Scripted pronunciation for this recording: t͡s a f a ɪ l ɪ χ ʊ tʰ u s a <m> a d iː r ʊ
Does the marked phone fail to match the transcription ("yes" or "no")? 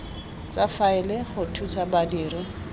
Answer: yes